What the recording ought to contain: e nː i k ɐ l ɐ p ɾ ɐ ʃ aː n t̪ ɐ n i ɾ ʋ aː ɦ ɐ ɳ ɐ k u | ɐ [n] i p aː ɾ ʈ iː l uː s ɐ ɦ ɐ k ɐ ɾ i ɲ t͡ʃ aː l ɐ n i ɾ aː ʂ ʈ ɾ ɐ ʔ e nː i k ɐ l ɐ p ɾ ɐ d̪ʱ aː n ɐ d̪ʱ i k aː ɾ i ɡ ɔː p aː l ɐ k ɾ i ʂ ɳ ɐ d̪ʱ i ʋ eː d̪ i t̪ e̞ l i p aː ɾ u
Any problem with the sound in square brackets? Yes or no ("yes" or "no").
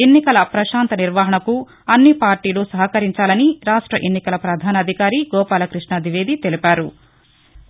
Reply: yes